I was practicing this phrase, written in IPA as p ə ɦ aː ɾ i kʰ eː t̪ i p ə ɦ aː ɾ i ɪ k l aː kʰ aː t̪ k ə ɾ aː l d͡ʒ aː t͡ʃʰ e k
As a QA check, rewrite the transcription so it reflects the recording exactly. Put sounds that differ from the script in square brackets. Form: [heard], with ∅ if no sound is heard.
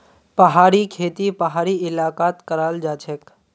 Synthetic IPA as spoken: p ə ɦ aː ɾ i kʰ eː t̪ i p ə ɦ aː ɾ i ɪ [∅] l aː [k] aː t̪ k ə ɾ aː l d͡ʒ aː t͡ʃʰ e k